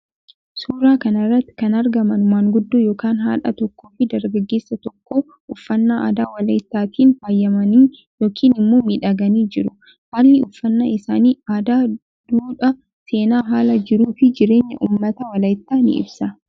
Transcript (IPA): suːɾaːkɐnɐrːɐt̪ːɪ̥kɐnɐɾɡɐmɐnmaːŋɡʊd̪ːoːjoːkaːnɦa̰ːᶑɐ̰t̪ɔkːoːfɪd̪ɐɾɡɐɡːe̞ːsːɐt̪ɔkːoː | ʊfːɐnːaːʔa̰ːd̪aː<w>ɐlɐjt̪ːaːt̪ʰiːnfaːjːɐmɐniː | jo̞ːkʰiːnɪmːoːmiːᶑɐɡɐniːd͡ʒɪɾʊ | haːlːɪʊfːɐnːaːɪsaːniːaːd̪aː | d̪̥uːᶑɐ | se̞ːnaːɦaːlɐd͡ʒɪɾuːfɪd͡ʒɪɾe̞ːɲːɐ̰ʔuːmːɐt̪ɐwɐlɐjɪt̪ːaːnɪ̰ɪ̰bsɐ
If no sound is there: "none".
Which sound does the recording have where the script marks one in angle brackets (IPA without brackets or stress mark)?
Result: w